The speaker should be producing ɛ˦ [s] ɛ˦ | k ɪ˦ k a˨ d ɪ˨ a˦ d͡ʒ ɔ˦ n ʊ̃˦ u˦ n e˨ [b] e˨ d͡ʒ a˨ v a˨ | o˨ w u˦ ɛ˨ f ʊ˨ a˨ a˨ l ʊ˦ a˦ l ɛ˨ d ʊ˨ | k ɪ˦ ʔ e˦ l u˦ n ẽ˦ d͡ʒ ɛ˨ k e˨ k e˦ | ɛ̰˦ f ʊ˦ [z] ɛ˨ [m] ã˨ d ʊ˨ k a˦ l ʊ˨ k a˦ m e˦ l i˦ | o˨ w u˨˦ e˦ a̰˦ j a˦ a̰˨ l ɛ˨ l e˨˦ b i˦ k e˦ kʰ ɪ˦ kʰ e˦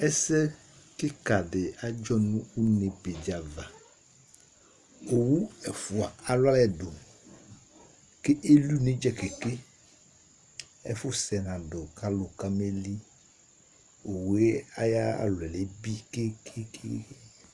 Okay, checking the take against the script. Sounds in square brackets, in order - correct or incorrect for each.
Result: correct, correct, incorrect: s, incorrect: n

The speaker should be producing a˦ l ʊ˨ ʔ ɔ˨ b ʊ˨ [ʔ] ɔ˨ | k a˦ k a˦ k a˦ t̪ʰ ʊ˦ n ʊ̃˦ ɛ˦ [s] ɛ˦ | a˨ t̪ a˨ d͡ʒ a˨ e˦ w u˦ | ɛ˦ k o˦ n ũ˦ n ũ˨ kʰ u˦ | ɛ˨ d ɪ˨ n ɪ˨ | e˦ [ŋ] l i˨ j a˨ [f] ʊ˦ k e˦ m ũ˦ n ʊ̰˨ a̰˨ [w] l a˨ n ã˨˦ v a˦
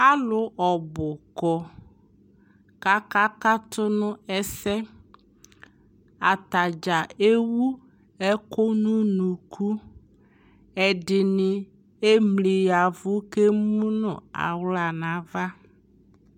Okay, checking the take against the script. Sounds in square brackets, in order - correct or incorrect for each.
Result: incorrect: k, correct, incorrect: m, incorrect: v, correct

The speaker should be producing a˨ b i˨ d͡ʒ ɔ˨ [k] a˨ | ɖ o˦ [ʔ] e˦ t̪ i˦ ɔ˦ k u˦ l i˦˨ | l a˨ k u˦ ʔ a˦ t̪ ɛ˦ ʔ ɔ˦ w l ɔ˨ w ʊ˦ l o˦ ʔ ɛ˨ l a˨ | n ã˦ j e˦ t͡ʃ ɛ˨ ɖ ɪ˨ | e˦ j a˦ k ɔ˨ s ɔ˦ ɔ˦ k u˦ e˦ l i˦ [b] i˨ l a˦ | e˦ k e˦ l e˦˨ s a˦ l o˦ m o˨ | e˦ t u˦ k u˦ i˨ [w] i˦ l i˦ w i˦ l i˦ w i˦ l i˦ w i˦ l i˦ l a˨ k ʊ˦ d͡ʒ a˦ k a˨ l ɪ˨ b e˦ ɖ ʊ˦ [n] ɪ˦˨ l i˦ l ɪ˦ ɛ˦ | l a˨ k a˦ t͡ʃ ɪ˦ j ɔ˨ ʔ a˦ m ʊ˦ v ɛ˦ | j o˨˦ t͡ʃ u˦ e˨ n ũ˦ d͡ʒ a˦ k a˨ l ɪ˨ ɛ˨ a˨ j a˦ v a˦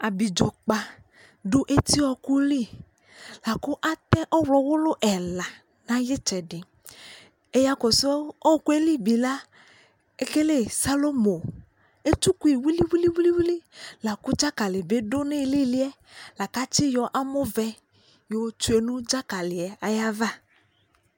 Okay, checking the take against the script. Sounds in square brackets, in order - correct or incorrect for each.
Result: incorrect: k͡p, correct, correct, correct, correct

